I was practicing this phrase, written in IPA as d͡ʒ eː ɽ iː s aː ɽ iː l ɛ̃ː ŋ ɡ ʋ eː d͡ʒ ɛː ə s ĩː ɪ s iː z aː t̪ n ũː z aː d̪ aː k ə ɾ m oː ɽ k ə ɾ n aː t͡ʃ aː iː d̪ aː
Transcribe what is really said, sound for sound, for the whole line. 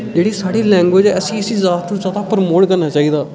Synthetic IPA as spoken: d͡ʒ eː ɽ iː s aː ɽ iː l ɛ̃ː ŋ ɡ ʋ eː d͡ʒ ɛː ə s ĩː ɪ s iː z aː t̪ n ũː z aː d̪ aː p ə ɾ m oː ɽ k ə ɾ n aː t͡ʃ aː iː d̪ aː